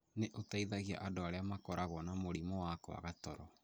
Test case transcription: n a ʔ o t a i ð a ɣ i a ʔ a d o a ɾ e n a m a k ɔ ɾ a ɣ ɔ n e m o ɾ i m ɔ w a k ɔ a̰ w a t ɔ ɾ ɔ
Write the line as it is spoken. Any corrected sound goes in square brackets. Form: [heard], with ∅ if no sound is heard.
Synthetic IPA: n [e] ʔ o t a i ð a ɣ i a ʔ a d o a ɾ e [∅] a m a k ɔ ɾ a ɣ ɔ n [a] m o ɾ i m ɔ w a k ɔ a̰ [ɣ] a t ɔ ɾ ɔ